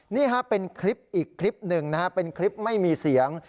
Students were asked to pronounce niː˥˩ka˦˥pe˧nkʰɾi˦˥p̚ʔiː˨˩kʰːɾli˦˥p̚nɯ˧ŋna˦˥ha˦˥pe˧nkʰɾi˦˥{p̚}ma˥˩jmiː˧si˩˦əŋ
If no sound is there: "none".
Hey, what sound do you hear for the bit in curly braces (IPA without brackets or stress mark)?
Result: p̚